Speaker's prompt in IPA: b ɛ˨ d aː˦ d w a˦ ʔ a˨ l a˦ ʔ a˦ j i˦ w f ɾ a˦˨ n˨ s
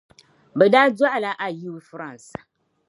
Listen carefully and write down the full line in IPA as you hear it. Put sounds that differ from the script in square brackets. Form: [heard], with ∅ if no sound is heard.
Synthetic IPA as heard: b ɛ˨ d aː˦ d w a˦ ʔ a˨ l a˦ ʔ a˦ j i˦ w f ɾ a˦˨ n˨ s